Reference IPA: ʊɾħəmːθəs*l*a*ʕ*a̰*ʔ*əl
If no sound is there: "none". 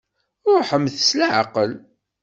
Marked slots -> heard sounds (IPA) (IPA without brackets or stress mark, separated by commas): l, ʕ, q